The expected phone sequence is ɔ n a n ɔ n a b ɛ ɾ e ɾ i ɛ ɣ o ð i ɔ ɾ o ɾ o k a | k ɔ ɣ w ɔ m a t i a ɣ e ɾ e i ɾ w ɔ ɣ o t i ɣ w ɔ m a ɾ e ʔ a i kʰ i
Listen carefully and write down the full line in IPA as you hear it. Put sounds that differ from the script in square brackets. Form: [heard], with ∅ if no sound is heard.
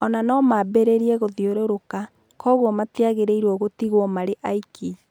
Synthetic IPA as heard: ɔ n a n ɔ [m] a b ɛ ɾ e ɾ i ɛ ɣ o ð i [o] ɾ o ɾ o k a | k ɔ ɣ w ɔ m a t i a ɣ e ɾ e i ɾ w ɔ ɣ o t i ɣ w ɔ m a ɾ e ʔ a i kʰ i